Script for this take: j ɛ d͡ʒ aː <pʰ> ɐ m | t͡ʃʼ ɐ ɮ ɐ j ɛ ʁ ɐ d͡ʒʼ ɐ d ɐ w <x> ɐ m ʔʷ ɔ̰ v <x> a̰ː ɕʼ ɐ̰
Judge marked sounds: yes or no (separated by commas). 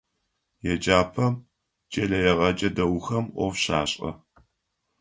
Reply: yes, yes, no